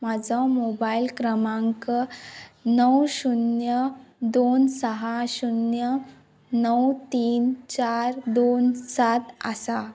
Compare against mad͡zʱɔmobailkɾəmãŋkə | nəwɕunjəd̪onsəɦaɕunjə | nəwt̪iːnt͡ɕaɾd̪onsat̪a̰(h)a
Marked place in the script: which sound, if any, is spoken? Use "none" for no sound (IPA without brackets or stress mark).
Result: s